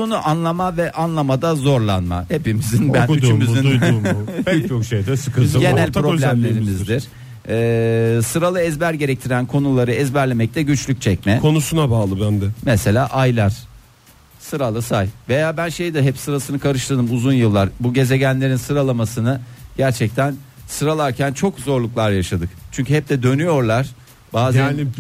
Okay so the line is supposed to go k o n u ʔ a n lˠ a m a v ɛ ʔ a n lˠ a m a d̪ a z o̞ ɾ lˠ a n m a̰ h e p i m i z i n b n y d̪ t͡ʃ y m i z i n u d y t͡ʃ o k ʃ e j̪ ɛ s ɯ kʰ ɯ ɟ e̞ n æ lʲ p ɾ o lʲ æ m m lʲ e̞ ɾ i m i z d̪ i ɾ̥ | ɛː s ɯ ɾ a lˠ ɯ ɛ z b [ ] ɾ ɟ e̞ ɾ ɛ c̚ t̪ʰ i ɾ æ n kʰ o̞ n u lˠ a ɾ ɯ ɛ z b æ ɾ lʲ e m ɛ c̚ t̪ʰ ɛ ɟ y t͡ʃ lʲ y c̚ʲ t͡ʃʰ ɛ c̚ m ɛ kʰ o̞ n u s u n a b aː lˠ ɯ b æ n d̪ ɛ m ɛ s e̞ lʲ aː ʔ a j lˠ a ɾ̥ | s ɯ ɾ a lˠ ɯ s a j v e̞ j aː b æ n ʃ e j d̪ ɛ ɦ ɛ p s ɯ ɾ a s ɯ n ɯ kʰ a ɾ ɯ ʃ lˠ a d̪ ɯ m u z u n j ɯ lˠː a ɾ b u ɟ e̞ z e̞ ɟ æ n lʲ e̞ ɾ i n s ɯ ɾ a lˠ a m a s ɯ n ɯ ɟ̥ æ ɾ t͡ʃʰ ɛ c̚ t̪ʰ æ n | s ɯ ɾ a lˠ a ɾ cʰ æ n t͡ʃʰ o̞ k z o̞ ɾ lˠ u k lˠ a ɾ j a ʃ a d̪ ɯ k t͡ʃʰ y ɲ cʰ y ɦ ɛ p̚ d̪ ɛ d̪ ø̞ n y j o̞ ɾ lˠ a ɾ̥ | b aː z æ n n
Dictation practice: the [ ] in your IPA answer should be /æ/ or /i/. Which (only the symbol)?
æ